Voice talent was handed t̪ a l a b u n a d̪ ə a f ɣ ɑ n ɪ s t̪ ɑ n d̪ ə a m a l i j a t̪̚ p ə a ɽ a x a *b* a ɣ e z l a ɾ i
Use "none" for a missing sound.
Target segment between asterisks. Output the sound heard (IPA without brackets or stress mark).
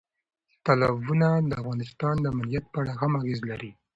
m